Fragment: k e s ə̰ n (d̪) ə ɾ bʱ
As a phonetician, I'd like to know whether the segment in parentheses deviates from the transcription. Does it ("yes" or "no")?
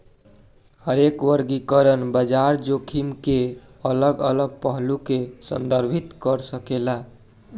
no